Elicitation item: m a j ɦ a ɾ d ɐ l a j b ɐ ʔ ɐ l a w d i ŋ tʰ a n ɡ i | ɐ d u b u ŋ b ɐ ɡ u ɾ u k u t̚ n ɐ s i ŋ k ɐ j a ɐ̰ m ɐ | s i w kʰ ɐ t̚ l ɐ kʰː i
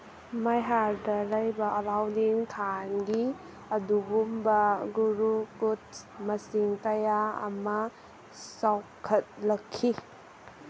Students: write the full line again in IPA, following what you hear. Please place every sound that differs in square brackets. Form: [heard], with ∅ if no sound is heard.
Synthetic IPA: m a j ɦ a ɾ d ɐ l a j b ɐ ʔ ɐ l a w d i ŋ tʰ a n ɡ i | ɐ d u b u [m] b ɐ ɡ u ɾ u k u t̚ [m] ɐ s i ŋ k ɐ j a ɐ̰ m ɐ | s [a] w kʰ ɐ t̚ l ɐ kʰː i